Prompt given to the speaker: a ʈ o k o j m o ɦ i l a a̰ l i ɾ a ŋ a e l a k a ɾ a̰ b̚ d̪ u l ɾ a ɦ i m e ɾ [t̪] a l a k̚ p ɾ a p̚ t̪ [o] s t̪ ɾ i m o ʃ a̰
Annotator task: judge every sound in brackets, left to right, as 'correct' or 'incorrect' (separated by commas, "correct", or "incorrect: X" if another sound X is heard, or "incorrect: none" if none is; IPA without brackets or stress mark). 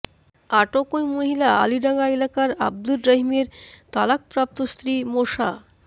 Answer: correct, correct